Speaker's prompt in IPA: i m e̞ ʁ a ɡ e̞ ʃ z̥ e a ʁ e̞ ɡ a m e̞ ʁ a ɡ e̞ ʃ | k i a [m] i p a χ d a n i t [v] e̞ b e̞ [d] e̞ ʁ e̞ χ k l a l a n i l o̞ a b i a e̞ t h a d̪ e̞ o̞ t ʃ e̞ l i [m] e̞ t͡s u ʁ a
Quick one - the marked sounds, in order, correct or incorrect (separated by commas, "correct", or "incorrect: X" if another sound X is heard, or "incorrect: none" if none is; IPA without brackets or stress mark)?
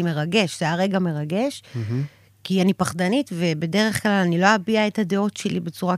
incorrect: n, correct, correct, incorrect: b